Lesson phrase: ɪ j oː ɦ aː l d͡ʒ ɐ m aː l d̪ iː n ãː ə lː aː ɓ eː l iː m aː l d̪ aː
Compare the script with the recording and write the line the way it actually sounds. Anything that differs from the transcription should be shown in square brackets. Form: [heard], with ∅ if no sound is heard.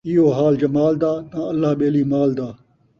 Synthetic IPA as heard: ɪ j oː ɦ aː l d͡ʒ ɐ m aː l d̪ [aː] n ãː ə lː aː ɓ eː l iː m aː l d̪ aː